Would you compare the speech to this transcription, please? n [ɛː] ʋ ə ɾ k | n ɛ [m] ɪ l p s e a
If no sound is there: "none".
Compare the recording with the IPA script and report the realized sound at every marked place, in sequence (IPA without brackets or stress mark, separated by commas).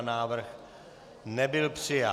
aː, b